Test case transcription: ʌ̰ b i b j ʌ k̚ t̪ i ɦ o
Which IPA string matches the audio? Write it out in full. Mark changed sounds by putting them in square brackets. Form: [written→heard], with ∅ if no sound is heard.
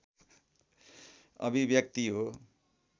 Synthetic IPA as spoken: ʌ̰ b i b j ʌ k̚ t̪ i ɦ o

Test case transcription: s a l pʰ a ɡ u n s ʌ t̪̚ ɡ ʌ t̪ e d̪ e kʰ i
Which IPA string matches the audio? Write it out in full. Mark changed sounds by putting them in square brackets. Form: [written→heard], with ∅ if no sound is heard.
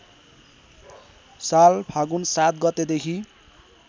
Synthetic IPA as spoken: s a l pʰ a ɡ u n s [ʌ→a] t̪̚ ɡ ʌ t̪ e d̪ e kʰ i

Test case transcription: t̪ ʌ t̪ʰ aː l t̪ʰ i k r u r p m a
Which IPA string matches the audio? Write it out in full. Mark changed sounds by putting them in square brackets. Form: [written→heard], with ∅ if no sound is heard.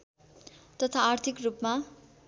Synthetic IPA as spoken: t̪ ʌ t̪ʰ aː [l→r] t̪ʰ i k r u [r→∅] p m a

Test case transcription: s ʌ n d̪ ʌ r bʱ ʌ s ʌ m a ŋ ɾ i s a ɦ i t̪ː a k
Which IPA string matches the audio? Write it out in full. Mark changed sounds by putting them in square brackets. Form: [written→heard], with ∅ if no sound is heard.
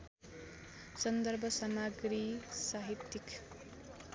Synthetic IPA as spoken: s ʌ n d̪ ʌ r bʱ ʌ s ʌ m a [ŋ→ɡ] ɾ i s a ɦ i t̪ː [a→i] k

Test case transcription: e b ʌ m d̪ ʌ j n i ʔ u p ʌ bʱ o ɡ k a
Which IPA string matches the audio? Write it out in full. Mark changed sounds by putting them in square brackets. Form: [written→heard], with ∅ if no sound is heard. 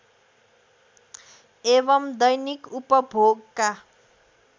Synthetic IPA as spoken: e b ʌ m d̪ ʌ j n i [ʔ→k] u p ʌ bʱ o ɡ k a

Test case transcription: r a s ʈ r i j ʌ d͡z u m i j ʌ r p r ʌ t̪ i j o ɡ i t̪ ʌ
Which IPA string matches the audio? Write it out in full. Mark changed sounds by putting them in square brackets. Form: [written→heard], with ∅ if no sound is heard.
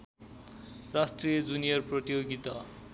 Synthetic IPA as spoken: r a s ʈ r i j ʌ d͡z u [m→n] i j ʌ r p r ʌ t̪ i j o ɡ i t̪ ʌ

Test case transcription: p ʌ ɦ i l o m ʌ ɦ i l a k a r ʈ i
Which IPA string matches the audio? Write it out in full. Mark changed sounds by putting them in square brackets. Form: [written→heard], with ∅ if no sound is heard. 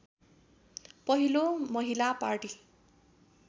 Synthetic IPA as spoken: p ʌ ɦ i l o m ʌ ɦ i l a [k→p] a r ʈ i

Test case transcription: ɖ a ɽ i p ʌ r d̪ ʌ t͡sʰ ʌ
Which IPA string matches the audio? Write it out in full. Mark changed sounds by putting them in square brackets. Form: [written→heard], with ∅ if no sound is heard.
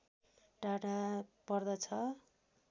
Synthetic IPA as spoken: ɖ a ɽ [i→a] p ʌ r d̪ ʌ t͡sʰ ʌ

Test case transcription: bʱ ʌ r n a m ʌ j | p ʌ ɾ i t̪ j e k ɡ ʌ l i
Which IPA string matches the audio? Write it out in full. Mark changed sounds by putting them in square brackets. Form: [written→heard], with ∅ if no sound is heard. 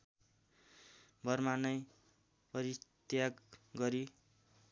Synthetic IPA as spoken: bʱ ʌ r [n→m] a [m→n] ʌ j | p ʌ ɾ i t̪ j [e→a] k ɡ ʌ [l→ɾ] i

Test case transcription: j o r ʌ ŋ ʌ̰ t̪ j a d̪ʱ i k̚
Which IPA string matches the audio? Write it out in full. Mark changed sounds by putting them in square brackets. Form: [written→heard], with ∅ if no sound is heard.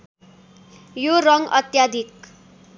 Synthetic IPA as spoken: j o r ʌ ŋ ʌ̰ t̪ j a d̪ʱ i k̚

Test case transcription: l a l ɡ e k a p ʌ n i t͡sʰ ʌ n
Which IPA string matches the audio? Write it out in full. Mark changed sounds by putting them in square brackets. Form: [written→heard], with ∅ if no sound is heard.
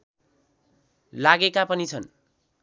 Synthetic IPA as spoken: l a [l→∅] ɡ e k a p ʌ n i t͡sʰ ʌ n

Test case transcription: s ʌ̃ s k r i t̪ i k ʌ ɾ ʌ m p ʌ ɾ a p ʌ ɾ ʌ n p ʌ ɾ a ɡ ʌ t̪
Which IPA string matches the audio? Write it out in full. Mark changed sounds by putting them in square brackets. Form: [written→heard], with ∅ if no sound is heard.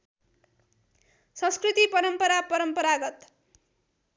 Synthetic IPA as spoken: s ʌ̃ s k r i t̪ i [k→p] ʌ ɾ ʌ m p ʌ ɾ a p ʌ ɾ ʌ [n→m] p ʌ ɾ a ɡ ʌ t̪

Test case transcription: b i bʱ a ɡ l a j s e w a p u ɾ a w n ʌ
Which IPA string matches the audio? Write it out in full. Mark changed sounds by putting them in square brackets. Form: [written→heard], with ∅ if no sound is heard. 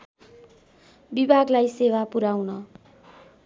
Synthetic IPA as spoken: b i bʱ a ɡ l a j s e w a p u ɾ a w n ʌ

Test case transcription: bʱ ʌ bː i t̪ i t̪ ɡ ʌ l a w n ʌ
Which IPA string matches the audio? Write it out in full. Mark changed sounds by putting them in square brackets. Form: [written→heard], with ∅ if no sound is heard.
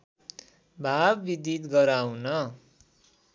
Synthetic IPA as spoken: bʱ [ʌ→a] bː i [t̪→d̪] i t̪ ɡ ʌ [l→ɾ] a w n ʌ

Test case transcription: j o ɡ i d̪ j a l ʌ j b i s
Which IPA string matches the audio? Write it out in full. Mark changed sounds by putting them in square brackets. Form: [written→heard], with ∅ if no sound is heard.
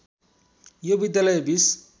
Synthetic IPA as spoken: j o [ɡ→b] i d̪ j a l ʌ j b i s

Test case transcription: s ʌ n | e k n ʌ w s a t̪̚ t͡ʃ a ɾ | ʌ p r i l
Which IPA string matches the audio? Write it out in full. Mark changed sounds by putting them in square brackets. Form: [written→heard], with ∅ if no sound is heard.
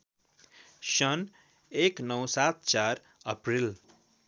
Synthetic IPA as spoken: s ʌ n | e k n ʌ w s a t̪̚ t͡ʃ a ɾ | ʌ p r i l

